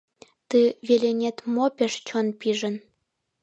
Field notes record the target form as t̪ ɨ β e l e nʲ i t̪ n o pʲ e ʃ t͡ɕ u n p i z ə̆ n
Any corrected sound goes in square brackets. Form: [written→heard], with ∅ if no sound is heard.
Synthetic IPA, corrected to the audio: t̪ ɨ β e l e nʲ [i→e] t̪ [n→m] o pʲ e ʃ t͡ɕ [u→o] n p i [z→ʒ] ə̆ n